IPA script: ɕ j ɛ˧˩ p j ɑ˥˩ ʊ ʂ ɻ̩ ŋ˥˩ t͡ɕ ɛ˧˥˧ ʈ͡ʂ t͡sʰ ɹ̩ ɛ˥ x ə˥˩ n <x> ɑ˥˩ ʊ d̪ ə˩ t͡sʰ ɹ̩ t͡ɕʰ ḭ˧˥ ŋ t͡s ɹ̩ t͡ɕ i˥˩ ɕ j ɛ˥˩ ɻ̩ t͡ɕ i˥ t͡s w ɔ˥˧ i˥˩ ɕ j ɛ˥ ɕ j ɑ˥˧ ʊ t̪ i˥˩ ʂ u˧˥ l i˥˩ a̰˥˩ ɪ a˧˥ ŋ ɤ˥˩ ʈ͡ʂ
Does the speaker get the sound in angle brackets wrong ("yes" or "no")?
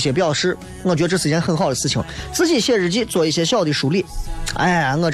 no